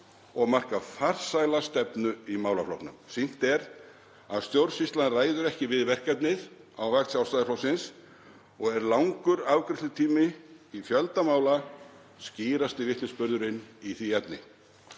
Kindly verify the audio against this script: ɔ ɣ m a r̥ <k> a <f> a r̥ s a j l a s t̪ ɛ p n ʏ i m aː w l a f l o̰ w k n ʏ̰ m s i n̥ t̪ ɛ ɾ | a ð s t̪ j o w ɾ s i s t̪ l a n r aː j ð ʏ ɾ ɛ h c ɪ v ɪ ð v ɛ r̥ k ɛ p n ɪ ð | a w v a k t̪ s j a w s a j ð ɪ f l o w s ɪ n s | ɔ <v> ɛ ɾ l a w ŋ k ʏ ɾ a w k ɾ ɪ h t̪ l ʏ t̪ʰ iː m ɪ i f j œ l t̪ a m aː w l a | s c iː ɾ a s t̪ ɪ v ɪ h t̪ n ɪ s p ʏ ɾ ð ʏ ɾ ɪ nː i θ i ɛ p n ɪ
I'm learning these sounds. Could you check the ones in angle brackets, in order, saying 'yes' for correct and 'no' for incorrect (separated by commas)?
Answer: yes, yes, no